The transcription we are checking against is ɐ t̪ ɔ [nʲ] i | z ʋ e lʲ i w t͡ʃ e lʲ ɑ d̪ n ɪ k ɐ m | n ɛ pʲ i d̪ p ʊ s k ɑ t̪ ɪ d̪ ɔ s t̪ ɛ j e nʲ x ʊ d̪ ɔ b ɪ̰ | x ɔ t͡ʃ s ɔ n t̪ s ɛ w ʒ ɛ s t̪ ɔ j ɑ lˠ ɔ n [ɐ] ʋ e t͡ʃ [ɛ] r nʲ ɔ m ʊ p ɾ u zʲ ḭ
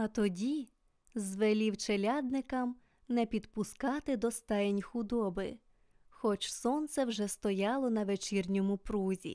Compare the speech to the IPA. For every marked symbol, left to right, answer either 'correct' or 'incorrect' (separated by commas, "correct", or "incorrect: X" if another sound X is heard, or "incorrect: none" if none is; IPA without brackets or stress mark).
incorrect: dʲ, correct, incorrect: i